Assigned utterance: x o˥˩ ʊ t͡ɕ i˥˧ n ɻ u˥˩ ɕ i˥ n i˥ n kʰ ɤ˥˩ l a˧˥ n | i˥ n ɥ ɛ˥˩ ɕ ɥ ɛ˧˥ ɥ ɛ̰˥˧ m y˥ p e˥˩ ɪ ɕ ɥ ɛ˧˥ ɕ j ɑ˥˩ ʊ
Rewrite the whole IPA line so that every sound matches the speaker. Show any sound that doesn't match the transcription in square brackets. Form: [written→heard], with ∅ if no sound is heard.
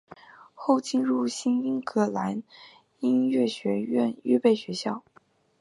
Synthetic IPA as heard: x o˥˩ ʊ t͡ɕ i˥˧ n ɻ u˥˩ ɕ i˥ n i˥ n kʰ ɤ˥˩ l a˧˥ n | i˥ n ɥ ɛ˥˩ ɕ ɥ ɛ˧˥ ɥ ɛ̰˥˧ [m→n] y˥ p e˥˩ ɪ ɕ ɥ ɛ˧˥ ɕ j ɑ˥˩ ʊ